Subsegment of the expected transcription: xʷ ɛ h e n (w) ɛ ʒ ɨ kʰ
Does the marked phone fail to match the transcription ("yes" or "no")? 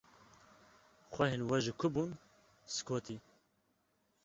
no